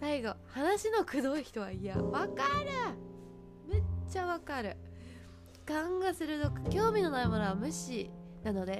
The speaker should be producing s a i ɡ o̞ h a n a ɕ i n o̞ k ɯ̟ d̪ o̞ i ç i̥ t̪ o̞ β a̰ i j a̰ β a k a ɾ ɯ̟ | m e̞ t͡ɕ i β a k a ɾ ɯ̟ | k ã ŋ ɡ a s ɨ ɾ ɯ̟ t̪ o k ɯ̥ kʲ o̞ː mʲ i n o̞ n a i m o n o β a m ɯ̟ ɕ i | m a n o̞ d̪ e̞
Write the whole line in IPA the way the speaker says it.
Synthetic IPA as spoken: s a i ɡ o̞ h a n a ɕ i n o̞ k ɯ̟ d̪ o̞ i ç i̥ t̪ o̞ β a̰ i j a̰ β a k a ɾ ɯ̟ | m e̞ t͡ɕ a β a k a ɾ ɯ̟ | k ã ŋ ɡ a s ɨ ɾ ɯ̟ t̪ o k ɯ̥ kʲ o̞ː mʲ i n o̞ n a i m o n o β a m ɯ̟ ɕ i | n a n o̞ d̪ e̞